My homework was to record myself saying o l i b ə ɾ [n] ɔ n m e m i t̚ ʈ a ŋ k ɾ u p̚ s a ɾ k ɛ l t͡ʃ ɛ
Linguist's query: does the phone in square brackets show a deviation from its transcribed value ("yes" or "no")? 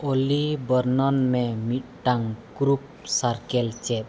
no